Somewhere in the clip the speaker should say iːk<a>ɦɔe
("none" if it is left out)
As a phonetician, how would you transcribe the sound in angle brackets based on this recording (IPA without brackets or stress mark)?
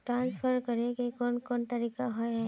a